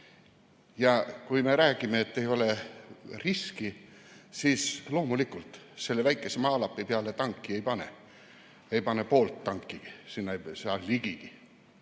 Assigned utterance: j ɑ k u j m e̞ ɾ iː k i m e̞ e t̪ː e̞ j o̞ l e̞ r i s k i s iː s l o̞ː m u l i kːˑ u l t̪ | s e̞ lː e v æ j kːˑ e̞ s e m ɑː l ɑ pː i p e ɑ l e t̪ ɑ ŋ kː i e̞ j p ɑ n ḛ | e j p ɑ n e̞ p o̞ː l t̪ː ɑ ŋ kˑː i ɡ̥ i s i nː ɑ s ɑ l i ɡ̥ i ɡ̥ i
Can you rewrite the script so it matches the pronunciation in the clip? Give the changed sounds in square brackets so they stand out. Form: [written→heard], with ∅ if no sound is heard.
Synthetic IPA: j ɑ k u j m e̞ ɾ [iː→æː] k i m e̞ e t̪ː e̞ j o̞ l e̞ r i s k i s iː s l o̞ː m u l i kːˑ u l t̪ | s e̞ lː e v æ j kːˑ e̞ s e m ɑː l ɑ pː i p e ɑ l e t̪ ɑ ŋ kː i e̞ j p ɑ n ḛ | e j p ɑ n e̞ p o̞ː l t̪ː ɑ ŋ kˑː i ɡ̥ i s i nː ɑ s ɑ l i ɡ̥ i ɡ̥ i